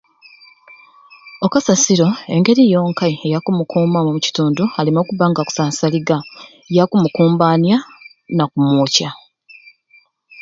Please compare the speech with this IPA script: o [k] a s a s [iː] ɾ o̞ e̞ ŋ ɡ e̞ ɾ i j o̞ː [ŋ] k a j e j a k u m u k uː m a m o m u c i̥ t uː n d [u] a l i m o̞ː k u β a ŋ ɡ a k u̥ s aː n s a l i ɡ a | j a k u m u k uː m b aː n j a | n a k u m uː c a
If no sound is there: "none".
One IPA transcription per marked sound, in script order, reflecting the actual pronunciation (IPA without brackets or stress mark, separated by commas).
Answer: k, i, ŋ, u